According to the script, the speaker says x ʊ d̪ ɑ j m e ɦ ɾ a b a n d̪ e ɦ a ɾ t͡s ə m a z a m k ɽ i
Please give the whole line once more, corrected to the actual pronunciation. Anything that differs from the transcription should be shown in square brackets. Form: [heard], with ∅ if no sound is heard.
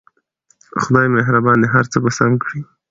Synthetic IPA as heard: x ʊ d̪ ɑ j m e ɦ ɾ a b [ɑ] n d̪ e ɦ a ɾ t͡s ə [b] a [s] a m k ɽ i